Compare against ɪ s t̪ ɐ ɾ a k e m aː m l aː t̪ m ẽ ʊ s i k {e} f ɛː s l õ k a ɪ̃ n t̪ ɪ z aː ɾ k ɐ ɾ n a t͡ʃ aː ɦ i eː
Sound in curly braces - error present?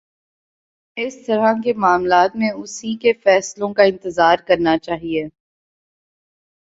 no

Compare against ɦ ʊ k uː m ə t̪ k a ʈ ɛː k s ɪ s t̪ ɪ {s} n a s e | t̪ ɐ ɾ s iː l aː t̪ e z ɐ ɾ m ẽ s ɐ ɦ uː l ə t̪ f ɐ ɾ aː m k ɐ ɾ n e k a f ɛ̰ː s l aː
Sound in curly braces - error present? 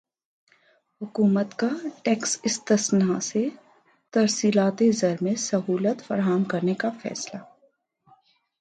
no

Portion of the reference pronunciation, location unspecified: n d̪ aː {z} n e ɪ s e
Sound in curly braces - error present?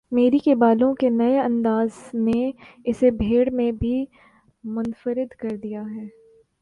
no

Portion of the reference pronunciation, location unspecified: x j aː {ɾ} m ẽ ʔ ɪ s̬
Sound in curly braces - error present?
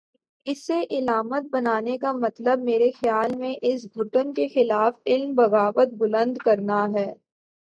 yes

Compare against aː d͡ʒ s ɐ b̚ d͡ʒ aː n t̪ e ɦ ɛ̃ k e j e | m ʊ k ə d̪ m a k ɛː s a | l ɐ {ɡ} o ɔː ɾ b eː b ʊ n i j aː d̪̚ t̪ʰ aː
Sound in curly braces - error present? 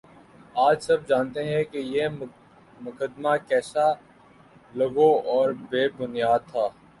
no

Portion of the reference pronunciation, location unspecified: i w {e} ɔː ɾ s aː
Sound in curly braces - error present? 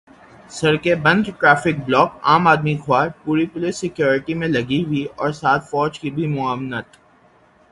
yes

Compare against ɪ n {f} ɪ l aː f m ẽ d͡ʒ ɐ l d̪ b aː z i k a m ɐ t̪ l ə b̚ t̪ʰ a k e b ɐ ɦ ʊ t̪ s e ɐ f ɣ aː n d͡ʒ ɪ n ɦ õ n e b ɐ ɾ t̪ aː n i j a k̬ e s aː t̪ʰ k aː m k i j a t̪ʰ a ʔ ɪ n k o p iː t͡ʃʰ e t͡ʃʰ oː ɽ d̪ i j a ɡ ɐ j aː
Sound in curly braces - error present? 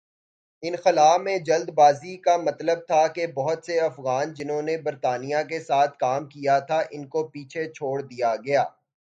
yes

